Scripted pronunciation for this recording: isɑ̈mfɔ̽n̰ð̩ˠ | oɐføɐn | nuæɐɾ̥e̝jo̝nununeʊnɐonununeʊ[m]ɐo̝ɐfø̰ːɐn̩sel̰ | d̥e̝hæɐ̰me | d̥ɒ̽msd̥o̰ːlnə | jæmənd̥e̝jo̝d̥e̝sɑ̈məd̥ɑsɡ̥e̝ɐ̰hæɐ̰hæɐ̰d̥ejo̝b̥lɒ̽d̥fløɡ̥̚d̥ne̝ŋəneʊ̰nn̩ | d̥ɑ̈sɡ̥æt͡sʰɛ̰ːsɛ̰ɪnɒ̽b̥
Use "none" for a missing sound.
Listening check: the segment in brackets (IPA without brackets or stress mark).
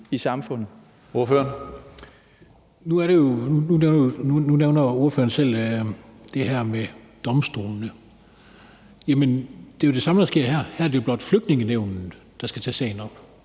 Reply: n